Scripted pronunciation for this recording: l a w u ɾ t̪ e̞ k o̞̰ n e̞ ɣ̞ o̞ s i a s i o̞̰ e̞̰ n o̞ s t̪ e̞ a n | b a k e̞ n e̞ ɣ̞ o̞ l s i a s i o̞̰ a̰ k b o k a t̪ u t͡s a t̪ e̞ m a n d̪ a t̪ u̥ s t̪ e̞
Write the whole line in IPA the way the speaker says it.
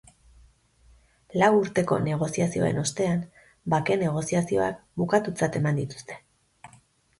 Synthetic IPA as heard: l a w u ɾ t̪ e̞ k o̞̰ n e̞ ɣ̞ o̞ s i a s i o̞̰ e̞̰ n o̞ s t̪ e̞ a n | b a k e̞ n e̞ ɣ̞ o̞ s i a s i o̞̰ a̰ k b u k a t̪ u t͡s a t̪ e̞ m a n d̪ i t̪ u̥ s t̪ e̞